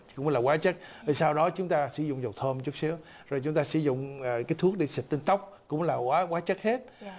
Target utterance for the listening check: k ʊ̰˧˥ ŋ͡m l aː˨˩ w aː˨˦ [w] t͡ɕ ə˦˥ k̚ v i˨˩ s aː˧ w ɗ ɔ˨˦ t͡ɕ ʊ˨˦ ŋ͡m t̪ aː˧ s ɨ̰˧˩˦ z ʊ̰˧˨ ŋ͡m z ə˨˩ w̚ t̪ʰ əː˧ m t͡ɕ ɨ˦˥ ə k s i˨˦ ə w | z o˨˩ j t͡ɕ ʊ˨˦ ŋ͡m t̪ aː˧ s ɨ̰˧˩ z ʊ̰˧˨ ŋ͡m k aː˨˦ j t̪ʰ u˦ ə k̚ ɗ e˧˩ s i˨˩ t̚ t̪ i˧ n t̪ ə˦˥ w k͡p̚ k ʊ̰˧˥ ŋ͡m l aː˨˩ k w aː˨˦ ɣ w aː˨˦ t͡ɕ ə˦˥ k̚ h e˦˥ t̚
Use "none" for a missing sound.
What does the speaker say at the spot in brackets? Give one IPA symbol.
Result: none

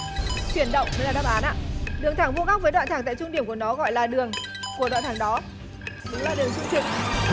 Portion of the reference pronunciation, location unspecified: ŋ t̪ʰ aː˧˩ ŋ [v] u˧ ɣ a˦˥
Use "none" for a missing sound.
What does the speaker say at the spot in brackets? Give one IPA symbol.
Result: v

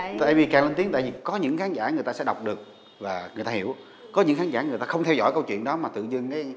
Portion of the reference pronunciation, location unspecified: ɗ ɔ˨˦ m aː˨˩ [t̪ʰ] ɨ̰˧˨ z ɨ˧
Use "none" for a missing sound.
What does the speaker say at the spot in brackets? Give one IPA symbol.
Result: t̪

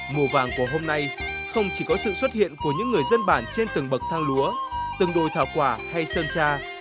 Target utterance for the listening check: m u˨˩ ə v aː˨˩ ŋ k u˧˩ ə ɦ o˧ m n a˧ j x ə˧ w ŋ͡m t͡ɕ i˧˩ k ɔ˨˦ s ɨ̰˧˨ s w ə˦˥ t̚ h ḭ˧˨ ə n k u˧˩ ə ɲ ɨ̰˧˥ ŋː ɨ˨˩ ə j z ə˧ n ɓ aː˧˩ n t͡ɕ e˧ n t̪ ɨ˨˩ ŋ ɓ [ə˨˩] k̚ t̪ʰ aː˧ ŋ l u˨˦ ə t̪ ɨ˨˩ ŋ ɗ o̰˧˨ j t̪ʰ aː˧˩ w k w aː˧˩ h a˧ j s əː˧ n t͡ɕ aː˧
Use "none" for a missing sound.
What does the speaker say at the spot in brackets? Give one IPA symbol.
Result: ə˨˩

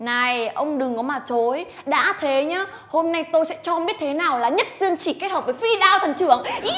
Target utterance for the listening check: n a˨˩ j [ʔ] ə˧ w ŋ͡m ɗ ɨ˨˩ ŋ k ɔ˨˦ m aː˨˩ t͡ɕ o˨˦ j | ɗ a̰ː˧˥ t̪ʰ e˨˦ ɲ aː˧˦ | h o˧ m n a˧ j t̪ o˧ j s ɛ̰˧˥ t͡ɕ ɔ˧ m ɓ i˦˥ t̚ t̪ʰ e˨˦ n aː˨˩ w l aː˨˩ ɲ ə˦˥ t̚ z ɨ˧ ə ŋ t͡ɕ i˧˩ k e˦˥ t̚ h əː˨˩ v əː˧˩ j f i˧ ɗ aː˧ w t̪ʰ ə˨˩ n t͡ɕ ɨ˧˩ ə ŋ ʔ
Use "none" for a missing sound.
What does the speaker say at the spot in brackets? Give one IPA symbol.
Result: ʔ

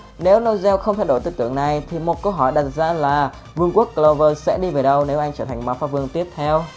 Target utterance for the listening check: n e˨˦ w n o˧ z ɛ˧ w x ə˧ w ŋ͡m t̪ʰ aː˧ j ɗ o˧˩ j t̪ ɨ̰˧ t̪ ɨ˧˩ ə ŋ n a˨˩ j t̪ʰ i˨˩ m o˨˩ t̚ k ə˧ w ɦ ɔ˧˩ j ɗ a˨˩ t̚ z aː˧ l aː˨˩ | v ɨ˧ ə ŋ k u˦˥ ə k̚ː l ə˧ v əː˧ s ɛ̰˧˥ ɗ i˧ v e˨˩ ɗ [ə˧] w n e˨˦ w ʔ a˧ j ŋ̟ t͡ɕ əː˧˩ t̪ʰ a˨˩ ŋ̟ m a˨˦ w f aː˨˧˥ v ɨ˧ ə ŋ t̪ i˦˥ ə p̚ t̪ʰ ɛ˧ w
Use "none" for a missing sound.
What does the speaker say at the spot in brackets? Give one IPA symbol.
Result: ə˧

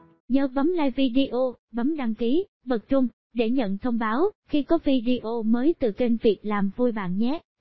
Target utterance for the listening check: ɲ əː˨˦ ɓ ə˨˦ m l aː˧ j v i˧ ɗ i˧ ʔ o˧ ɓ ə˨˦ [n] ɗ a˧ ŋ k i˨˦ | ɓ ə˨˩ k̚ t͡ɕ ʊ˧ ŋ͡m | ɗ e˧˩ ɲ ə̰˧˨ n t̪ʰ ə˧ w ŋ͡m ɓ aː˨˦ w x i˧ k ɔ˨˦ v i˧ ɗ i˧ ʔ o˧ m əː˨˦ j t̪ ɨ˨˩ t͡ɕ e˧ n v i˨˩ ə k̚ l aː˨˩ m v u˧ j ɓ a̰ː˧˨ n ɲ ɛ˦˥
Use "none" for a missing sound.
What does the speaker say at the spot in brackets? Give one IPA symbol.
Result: m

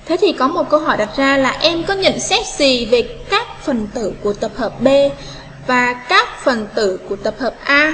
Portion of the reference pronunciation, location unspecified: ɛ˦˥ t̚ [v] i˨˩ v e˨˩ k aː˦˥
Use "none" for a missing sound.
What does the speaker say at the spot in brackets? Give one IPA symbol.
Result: z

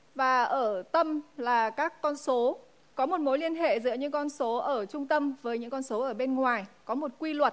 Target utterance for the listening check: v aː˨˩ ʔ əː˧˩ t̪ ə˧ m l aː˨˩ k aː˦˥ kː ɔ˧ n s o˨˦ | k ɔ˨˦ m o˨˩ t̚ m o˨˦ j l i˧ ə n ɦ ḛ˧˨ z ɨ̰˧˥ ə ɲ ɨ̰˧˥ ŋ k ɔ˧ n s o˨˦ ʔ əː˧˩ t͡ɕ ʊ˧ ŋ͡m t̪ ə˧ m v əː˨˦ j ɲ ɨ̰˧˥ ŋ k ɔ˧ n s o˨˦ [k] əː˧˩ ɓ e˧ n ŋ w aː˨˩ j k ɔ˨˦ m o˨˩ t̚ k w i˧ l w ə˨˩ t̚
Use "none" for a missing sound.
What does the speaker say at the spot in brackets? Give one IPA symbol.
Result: ʔ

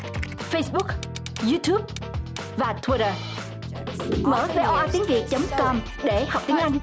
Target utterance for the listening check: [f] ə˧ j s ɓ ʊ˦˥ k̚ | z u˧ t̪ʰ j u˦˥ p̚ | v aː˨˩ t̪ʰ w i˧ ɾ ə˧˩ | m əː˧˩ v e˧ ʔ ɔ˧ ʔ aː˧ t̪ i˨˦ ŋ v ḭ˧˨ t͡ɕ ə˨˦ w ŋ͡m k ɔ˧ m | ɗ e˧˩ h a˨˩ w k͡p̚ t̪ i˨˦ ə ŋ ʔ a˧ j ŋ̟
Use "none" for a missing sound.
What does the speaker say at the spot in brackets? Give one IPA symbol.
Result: f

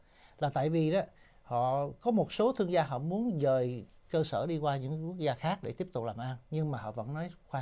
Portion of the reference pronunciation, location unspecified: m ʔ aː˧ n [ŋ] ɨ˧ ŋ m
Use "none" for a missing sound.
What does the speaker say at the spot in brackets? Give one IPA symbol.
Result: ɲ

